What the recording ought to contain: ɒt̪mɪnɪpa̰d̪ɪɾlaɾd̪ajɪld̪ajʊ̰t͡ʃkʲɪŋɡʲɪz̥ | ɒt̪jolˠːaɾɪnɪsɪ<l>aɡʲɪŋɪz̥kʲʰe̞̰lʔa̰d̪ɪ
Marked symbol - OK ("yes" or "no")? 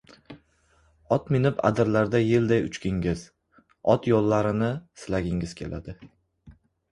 yes